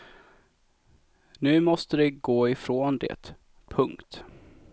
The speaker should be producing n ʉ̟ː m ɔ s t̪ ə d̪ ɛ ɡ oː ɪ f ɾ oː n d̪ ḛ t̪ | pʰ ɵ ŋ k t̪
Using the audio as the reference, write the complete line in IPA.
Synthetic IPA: n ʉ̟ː m ɔ s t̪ ə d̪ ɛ ɡ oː ɪ f ɾ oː n d̪ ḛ t̪ | pʰ ɵ ŋ k t̪

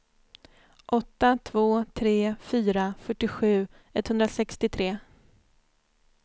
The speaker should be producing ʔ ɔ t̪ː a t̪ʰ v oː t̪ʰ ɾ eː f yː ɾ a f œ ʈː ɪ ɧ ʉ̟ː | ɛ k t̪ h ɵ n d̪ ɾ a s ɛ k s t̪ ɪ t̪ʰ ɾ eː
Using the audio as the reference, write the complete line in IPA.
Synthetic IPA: ʔ ɔ t̪ː a t̪ʰ v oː t̪ʰ ɾ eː f yː ɾ a f œ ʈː ɪ ɧ ʉ̟ː | ɛ t̪ h ɵ n d̪ ɾ a s ɛ k s t̪ ɪ t̪ʰ ɾ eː

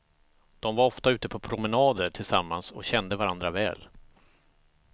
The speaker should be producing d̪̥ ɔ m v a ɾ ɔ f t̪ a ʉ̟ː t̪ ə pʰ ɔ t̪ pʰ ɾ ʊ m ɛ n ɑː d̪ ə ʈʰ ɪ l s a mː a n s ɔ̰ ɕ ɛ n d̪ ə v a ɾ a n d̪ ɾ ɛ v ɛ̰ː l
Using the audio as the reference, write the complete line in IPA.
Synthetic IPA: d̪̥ ɔ m v a ɾ ɔ f t̪ a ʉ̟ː t̪ ə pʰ ɔ pʰ ɾ ʊ m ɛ n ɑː d̪ ə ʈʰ ɪ l s a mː a n s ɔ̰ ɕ ɛ n d̪ ə v a ɾ a n d̪ ɾ a v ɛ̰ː l

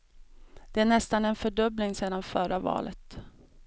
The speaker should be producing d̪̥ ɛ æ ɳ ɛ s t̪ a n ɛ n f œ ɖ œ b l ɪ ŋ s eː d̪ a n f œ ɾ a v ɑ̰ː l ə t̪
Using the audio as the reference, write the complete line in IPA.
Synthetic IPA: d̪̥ ɛ æ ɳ ɛ s t̪ a n ɛ n f œ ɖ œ b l ɪ ŋ s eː d̪ a n f œ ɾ a v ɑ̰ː l ə t̪

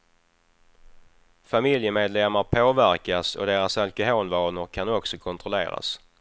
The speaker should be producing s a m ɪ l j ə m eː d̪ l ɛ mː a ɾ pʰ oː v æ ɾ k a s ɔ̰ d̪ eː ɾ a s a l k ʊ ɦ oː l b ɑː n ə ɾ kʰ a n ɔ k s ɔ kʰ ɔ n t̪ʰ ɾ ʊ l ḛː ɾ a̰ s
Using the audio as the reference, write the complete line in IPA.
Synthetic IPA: f a m ɪ l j ə m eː d̪ l ɛ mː a ɾ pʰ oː v æ ɾ k a s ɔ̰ d̪ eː ɾ a s a l k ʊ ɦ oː l v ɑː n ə ɾ kʰ a n ɔ k s ɔ kʰ ɔ n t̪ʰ ɾ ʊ l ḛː ɾ a̰ s

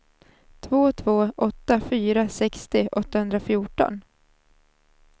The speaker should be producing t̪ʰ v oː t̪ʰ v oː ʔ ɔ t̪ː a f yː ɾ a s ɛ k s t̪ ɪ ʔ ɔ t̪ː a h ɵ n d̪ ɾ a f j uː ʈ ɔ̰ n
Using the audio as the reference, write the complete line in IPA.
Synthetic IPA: t̪ʰ v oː t̪ʰ v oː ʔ ɔ t̪ː a f yː ɾ a s ɛ k s t̪ ɪ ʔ ɔ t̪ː a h ɵ n d̪ ɾ a f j uː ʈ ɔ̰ n

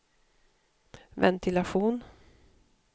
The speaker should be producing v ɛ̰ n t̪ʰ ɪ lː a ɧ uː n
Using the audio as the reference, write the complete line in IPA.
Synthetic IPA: v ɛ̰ n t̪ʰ ɪ l a ɧ uː n

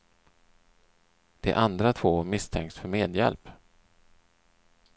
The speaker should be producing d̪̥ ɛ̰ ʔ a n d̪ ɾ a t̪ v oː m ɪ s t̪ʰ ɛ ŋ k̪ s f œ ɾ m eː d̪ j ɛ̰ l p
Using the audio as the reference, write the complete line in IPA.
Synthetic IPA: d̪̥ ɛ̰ ʔ a n d̪ ɾ a t̪ʰ v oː m ɪ s t̪ʰ ɛ ŋ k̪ s f œ ɾ m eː d̪ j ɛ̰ l p

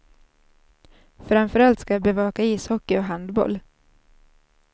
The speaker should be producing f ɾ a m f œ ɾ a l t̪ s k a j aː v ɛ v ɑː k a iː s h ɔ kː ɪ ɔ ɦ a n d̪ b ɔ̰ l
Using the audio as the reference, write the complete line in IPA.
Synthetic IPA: f ɾ a m f œ ɾ a l t̪ s k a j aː b ɛ v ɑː k a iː s h ɔ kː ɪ ɔ ɦ a n d̪ b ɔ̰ l

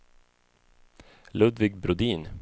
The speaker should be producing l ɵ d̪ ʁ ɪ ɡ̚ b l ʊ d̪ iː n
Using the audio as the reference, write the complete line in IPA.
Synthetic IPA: l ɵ d̪ v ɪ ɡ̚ b ɾ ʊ d̪ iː n

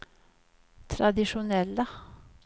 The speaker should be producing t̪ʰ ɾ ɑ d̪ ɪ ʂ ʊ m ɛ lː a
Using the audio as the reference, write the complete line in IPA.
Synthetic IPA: t̪ʰ ɾ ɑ d̪ ɪ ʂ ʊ n ɛ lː ə

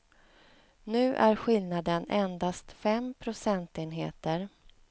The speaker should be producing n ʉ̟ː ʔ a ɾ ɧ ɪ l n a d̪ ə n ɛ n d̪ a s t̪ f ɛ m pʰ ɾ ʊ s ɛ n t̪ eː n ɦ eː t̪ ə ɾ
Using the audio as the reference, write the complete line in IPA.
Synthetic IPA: n ʉ̟ː ʔ æ ɾ ɧ ɪ l n a d̪ ə n ɛ n d̪ a s t̪ f ɛ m pʰ ɾ ʊ s ɛ n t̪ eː n ɦ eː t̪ ə ɾ

